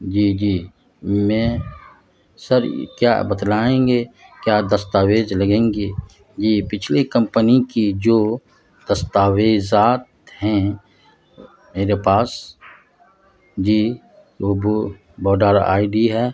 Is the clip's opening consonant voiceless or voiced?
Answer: voiced